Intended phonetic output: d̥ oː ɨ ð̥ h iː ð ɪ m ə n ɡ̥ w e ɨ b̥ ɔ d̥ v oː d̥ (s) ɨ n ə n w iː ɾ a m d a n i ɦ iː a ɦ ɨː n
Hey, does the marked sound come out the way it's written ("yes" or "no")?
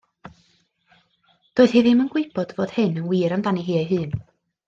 no